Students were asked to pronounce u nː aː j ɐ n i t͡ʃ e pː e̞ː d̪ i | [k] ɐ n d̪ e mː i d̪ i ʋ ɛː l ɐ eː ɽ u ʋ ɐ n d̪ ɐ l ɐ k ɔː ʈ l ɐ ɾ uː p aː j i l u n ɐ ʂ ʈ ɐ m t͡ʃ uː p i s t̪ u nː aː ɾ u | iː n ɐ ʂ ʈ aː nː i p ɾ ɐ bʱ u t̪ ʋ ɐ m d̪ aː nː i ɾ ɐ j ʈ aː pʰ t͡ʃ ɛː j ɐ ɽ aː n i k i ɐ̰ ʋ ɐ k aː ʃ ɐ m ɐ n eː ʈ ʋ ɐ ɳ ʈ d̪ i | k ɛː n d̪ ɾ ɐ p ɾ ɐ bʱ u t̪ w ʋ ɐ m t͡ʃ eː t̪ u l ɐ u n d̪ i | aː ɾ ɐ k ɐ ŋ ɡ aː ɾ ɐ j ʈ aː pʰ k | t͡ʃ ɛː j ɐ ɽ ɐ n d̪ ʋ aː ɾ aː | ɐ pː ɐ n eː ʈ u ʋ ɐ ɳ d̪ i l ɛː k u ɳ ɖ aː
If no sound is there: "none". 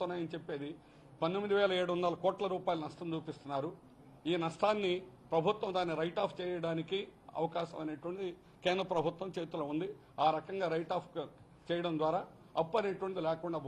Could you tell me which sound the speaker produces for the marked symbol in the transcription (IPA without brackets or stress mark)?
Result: p